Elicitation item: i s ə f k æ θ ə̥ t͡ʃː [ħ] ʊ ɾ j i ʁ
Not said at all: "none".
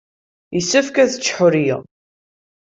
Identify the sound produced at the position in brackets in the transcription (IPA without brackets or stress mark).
ħ